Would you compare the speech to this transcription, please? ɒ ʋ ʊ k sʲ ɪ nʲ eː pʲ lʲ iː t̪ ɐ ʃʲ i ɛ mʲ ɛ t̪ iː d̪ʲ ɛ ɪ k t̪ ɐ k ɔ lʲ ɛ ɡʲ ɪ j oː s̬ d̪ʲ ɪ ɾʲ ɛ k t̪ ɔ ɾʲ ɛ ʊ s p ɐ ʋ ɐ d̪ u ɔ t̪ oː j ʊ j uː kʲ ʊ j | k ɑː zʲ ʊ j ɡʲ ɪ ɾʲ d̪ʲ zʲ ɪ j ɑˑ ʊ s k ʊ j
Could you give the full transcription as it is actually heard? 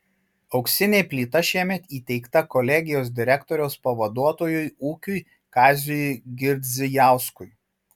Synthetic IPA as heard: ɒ ʊ k sʲ ɪ nʲ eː pʲ lʲ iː t̪ ɐ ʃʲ i ɛ mʲ ɛ t̪ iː t̪ʲ ɛ ɪ k t̪ ɐ k ɔ lʲ ɛ ɡʲ ɪ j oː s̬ d̪ʲ ɪ ɾʲ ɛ k t̪ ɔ ɾʲ ɛ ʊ s p ɐ ʋ ɐ d̪ u ɔ t̪ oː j ʊ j uː kʲ ʊ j | k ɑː zʲ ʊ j ɡʲ ɪ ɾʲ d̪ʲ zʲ ɪ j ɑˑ ʊ s k ʊ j

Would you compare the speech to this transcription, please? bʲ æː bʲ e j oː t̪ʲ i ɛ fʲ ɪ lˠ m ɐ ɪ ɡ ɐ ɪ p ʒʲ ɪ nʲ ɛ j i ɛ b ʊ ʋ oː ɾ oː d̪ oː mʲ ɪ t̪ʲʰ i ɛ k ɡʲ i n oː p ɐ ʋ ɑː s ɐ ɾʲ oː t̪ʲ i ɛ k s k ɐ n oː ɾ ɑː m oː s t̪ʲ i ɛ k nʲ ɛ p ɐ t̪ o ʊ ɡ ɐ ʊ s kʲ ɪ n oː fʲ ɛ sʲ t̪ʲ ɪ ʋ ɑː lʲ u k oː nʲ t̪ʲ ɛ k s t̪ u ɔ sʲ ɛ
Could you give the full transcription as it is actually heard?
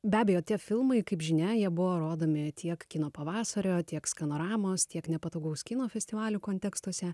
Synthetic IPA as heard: bʲ æː bʲ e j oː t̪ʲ i ɛ fʲ ɪ lˠ m ɐ ɪ k ɐ ɪ p ʒʲ ɪ nʲ ɛ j i ɛ b ʊ ʋ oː ɾ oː d̪ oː mʲ ɪ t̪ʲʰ i ɛ k kʲ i n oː p ɐ ʋ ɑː s ɐ ɾʲ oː t̪ʲ i ɛ k s k ɐ n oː ɾ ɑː m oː s t̪ʲ i ɛ k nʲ ɛ p ɐ t̪ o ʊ ɡ ɐ ʊ s kʲ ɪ n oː fʲ ɛ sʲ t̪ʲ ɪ ʋ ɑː lʲ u k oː nʲ t̪ʲ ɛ k s t̪ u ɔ sʲ ɛ

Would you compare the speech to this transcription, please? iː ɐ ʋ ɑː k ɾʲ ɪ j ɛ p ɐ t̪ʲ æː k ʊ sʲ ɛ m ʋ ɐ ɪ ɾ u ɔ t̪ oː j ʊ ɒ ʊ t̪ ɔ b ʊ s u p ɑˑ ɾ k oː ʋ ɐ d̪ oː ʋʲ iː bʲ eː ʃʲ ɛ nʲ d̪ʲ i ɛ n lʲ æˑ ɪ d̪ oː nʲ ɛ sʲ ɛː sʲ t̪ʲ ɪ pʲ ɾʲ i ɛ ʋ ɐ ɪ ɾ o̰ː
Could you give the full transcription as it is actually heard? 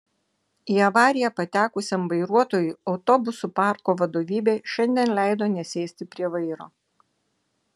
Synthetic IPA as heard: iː ɐ ʋ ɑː ɾʲ ɪ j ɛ p ɐ t̪ʲ æː k ʊ sʲ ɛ m ʋ ɐ ɪ ɾ u ɔ t̪ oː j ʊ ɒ ʊ t̪ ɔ b ʊ s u p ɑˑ ɾ k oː ʋ ɐ d̪ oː ʋʲ iː bʲ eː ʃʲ ɛ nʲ d̪ʲ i ɛ n lʲ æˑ ɪ d̪ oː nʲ ɛ sʲ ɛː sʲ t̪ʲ ɪ pʲ ɾʲ i ɛ ʋ ɐ ɪ ɾ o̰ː

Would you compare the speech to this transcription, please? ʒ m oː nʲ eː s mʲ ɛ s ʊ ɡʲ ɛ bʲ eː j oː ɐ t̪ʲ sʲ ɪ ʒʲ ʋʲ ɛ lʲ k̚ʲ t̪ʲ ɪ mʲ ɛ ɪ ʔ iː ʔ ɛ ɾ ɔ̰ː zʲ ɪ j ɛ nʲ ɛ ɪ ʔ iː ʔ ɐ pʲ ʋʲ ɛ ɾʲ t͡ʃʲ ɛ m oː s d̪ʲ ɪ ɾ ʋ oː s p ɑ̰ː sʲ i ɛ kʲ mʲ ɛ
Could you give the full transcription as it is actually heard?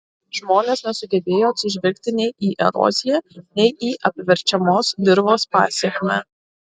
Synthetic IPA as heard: ʒ m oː nʲ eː s nʲ ɛ s ʊ ɡʲ ɛ bʲ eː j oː ɐ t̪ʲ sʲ ɪ ʒʲ ʋʲ ɛ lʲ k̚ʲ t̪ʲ ɪ nʲ ɛ ɪ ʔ iː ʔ ɛ ɾ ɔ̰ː zʲ ɪ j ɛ nʲ ɛ ɪ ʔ iː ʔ ɐ pʲ ʋʲ ɛ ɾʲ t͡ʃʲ ɛ m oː s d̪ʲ ɪ ɾ ʋ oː s p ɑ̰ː sʲ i ɛ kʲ mʲ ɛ

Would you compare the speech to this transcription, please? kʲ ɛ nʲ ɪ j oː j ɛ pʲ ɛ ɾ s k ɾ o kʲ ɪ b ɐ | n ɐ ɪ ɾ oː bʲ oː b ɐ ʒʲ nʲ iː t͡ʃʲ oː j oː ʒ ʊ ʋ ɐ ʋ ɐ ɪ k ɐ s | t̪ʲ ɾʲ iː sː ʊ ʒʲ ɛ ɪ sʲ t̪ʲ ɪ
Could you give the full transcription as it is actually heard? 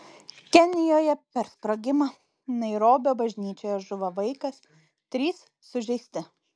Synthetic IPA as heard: kʲ ɛ nʲ ɪ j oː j ɛ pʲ ɛ ɾ s p ɾ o ɡʲ ɪ m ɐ | n ɐ ɪ ɾ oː bʲ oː b ɐ ʒʲ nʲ iː t͡ʃʲ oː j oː ʒ ʊ ʋ ɐ ʋ ɐ ɪ k ɐ s | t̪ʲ ɾʲ iː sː ʊ ʒʲ ɛ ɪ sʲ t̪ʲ ɪ

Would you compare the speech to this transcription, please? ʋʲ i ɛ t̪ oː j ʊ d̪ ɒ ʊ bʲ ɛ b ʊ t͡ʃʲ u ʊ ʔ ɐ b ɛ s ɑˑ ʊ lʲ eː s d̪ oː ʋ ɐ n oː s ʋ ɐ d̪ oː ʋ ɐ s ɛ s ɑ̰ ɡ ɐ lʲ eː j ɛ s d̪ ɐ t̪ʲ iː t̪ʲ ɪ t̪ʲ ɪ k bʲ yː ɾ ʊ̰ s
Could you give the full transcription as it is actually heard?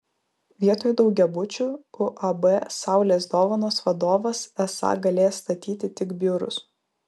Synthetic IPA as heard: ʋʲ i ɛ t̪ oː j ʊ d̪ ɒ ʊ ɡʲ ɛ b ʊ t͡ʃʲ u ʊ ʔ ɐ b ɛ s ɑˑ ʊ lʲ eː s d̪ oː ʋ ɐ n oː s ʋ ɐ d̪ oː ʋ ɐ s ɛ s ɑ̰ ɡ ɐ lʲ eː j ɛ s t̪ ɐ t̪ʲ iː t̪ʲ ɪ t̪ʲ ɪ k bʲ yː ɾ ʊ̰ s

